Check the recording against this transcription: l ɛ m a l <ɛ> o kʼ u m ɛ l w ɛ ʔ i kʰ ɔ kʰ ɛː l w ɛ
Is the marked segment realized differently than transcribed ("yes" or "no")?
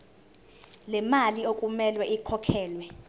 yes